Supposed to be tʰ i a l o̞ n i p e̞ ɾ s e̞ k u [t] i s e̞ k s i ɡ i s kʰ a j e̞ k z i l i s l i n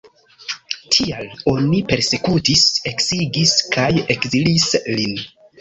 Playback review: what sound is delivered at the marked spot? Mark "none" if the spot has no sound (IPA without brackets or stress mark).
t